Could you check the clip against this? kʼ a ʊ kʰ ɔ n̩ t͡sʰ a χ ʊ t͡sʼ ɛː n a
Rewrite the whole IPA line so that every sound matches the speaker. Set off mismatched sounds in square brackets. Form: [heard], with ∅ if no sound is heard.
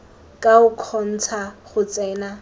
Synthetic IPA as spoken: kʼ a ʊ kʰ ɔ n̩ t͡sʰ a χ ʊ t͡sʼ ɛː n a